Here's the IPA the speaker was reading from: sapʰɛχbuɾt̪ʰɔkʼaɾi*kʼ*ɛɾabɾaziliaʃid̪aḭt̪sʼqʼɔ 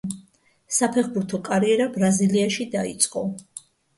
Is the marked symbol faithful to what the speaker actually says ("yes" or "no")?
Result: no